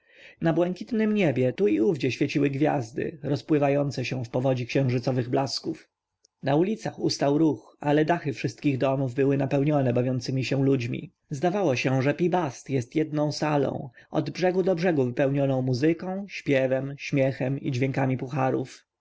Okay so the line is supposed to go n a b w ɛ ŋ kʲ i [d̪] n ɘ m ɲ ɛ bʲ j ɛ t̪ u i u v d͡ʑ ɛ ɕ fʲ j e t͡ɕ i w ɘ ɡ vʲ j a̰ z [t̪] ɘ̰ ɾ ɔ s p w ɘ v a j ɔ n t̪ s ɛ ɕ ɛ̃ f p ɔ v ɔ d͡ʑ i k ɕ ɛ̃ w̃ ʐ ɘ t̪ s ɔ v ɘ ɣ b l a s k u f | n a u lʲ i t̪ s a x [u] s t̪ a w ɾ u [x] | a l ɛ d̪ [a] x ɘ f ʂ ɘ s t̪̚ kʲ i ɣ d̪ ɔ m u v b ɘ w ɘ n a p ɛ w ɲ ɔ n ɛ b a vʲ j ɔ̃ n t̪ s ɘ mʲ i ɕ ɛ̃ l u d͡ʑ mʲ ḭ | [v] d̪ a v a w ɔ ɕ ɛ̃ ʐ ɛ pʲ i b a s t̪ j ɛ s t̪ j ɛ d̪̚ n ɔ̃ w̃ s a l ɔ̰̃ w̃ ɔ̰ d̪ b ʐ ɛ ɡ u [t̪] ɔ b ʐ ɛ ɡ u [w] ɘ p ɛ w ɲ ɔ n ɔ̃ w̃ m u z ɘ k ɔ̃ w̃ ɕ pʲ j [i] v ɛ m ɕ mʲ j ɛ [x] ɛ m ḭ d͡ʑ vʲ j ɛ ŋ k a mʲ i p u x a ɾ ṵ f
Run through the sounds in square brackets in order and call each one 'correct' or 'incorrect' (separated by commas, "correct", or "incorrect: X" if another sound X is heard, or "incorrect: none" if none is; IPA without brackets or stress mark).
incorrect: t̪, incorrect: d̪, correct, correct, correct, incorrect: z, incorrect: d̪, incorrect: v, incorrect: ɛ, correct